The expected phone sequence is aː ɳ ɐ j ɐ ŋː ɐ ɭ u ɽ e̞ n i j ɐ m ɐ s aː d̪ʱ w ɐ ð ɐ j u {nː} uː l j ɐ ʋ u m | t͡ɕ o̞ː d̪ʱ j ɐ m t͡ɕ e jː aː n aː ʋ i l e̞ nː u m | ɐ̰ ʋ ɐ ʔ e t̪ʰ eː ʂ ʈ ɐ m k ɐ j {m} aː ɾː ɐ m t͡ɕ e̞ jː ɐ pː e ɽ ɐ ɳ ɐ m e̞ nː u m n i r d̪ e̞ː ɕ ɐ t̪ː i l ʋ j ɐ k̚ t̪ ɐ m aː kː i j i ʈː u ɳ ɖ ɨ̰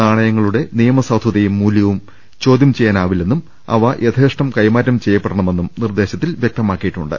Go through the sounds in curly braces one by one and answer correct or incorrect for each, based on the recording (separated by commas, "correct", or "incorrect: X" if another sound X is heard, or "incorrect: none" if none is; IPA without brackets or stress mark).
incorrect: mː, correct